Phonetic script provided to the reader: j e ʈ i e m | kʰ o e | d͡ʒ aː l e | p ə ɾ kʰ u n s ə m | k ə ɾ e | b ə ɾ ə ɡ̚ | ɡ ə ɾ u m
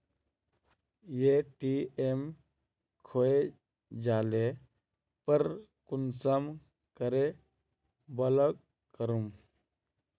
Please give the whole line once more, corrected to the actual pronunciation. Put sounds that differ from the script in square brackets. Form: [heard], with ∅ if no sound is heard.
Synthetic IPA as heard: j e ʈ i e m | kʰ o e | d͡ʒ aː l e | p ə ɾ [k] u n s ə m | k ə ɾ e | b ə [l] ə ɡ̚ | [k] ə ɾ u m